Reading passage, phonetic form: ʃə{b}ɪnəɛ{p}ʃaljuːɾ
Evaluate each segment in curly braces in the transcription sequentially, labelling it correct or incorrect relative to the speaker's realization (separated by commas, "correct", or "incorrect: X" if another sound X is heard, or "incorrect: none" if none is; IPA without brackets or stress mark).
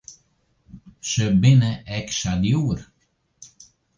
correct, incorrect: k